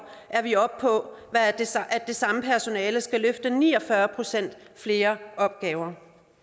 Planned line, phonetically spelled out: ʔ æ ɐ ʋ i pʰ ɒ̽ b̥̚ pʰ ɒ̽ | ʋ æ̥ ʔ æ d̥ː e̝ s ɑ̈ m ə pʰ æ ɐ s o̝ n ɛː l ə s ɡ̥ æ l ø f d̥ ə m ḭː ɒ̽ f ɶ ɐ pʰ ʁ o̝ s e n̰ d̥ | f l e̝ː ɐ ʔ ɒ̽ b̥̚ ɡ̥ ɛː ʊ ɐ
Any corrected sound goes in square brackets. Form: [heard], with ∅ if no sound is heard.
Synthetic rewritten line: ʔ æ ɐ ʋ i [∅] ɒ̽ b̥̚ pʰ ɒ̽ | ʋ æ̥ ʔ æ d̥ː e̝ s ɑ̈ m ə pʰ æ ɐ s o̝ n ɛː l ə s ɡ̥ æ l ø f d̥ ə [n] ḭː ɒ̽ f ɶ ɐ pʰ ʁ o̝ s e n̰ d̥ | f l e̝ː ɐ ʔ ɒ̽ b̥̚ ɡ̥ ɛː ʊ ɐ